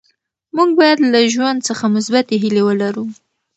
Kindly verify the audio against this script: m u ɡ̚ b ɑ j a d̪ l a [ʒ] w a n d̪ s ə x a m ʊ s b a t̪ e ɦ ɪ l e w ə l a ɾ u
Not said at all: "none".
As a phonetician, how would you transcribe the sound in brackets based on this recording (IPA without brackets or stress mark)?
ʒ